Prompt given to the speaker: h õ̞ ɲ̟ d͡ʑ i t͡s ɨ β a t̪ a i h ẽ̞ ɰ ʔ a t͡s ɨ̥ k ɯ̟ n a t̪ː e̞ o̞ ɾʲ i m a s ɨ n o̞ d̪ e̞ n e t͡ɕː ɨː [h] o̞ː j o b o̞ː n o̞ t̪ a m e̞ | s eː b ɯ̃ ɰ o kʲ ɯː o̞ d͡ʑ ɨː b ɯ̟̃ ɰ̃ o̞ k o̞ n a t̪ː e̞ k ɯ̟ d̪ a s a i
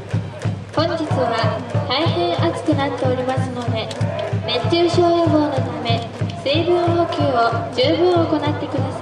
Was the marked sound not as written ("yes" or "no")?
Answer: yes